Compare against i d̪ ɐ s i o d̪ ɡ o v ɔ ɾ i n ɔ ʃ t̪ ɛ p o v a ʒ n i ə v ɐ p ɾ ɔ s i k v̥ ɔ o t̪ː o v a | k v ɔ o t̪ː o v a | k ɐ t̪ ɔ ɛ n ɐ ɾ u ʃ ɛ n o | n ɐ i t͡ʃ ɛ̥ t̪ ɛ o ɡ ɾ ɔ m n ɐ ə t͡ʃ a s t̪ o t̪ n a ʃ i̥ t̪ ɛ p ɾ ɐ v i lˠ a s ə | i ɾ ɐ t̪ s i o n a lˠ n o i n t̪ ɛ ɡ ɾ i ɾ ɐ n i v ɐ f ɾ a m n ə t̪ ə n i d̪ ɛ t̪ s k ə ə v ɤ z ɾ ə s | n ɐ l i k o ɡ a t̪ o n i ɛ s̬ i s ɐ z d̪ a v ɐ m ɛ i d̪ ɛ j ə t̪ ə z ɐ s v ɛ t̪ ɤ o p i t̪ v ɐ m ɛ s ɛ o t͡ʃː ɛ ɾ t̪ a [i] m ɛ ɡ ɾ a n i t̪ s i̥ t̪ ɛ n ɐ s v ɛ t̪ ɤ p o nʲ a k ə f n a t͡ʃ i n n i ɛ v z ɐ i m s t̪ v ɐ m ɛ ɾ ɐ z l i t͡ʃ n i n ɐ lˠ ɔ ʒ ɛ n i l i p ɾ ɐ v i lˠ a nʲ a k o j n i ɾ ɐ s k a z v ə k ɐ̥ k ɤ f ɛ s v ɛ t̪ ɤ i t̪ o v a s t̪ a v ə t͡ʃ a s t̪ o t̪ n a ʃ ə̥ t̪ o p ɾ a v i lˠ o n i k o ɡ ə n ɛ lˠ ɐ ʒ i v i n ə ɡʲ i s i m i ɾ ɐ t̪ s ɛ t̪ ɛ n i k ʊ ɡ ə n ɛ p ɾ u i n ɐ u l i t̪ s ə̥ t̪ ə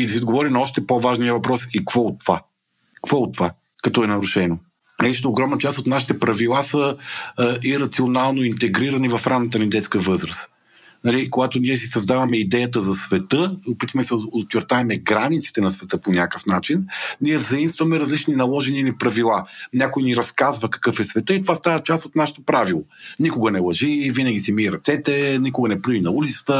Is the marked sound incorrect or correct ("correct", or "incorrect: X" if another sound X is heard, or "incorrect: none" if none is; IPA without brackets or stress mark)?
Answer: incorrect: ɛ